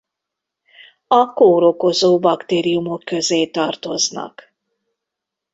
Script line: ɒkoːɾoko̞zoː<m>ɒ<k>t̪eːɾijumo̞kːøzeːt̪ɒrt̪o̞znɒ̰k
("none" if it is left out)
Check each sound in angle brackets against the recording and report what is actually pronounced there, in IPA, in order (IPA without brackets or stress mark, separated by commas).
b, k